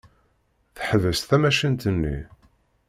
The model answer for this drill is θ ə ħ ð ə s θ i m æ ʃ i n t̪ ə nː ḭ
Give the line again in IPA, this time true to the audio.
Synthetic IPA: θ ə ħ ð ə s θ æ m æ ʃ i n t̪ ə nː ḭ